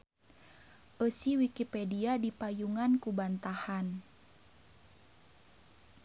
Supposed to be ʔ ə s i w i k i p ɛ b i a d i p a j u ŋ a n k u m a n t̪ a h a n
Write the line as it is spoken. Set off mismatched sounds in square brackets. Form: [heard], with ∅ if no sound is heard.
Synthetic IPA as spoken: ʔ ə s i w i k i p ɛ [d] i a d i p a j u ŋ a n k u [b] a n t̪ a h a n

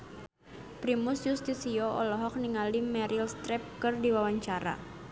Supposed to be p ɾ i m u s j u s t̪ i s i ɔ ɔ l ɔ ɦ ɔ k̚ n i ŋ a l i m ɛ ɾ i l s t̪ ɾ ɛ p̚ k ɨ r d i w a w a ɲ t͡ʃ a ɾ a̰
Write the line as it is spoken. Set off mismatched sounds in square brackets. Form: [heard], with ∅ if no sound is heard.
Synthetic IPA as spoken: p ɾ i m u s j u s t̪ i s i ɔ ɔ l ɔ ɦ ɔ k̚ n i ŋ a l i m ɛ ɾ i l s t̪ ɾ ɛ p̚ k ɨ r d i w a w a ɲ t͡ʃ a ɾ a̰

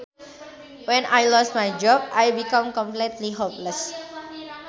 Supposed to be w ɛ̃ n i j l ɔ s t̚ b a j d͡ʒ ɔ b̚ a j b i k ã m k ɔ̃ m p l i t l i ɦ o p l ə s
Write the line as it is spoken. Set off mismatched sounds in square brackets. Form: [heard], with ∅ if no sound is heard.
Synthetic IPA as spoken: w ɛ̃ n [a] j l ɔ s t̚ [m] a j d͡ʒ ɔ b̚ a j b i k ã m k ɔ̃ m p l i t l i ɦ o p l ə s

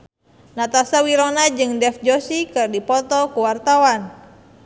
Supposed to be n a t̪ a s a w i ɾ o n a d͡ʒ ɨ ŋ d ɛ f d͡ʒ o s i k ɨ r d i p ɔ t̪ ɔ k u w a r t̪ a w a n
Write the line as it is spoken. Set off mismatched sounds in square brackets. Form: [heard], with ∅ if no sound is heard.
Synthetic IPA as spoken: n a t̪ a s a w i ɾ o n a d͡ʒ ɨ ŋ d ɛ f d͡ʒ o s i k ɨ r d i p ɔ t̪ ɔ k u w a r t̪ a w a n

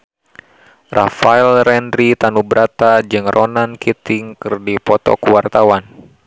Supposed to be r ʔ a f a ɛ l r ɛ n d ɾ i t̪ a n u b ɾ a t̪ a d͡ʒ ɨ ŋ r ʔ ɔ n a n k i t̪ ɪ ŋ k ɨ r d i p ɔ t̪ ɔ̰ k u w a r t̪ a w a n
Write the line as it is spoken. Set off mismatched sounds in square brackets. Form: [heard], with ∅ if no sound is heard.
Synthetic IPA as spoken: r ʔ a f a ɛ l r ɛ n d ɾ i t̪ a n u b ɾ a t̪ a d͡ʒ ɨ ŋ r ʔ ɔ n a n k i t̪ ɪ ŋ k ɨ r d i p ɔ t̪ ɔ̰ k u w a r t̪ a w a n

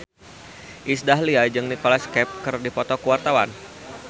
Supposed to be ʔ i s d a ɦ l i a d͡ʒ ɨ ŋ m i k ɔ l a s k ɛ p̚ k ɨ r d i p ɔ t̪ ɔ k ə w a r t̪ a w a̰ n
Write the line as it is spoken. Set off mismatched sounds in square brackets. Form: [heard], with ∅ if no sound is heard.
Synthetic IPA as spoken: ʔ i s d a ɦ l i a d͡ʒ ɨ ŋ [n] i k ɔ l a s k ɛ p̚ k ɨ r d i p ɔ t̪ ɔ k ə w a r t̪ a w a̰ n

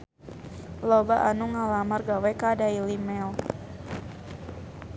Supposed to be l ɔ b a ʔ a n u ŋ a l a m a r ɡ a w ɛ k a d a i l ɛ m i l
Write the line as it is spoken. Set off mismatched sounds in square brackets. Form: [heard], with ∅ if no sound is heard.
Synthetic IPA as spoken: l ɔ b a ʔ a n u ŋ a l a m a r ɡ a w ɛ k a d a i l [i] m [ɛ] l

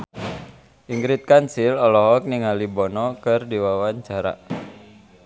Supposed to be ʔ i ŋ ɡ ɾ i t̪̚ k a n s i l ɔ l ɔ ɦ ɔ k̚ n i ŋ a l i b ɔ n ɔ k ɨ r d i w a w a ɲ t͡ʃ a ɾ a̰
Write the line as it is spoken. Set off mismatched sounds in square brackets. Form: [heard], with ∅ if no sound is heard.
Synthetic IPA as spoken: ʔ i ŋ ɡ ɾ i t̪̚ k a n s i l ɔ l ɔ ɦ ɔ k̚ n i ŋ a l i b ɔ n ɔ k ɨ r d i w a w a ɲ t͡ʃ a ɾ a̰

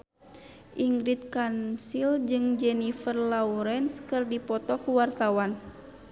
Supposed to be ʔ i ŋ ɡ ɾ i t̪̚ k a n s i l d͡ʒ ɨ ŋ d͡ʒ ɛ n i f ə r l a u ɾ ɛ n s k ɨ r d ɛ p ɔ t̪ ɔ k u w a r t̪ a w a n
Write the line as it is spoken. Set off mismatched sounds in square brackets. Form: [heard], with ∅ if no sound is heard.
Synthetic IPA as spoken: ʔ i ŋ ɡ ɾ i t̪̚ k a n s i l d͡ʒ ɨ ŋ d͡ʒ ɛ n i f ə r l a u ɾ ɛ n s k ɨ r d [i] p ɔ t̪ ɔ k u w a r t̪ a w a n

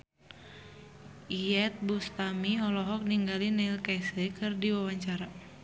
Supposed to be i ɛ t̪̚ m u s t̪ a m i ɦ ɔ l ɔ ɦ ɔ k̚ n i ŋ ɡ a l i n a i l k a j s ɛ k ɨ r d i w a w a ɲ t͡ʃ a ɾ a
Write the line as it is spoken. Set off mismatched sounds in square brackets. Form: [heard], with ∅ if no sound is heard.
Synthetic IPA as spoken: i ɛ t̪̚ [b] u s t̪ a m i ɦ ɔ l ɔ ɦ ɔ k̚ n i ŋ ɡ a l i n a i l k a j s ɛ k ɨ r d i w a w a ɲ t͡ʃ a ɾ a

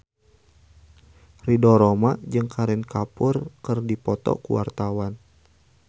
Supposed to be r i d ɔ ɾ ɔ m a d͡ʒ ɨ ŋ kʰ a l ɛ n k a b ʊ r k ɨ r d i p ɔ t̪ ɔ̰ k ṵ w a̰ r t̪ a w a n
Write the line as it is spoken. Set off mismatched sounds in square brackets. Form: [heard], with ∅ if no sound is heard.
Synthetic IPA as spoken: r i d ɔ ɾ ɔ m a d͡ʒ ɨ ŋ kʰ a [ɾ] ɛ n k a [p] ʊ r k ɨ r d i p ɔ t̪ ɔ̰ k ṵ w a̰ r t̪ a w a n

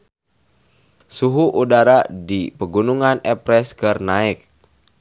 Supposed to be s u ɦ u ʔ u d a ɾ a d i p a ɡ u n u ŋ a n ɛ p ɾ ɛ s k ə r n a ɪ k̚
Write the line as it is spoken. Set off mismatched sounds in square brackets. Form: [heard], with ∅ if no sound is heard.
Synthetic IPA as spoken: s u ɦ u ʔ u d a ɾ a d i p [ə] ɡ u n u ŋ a n ɛ p ɾ ɛ s k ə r n a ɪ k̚

